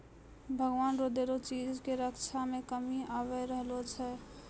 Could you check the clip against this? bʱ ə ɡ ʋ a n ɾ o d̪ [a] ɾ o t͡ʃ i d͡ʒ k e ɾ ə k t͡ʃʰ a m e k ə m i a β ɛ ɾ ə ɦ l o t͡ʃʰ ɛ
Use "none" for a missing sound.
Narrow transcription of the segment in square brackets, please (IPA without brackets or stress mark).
e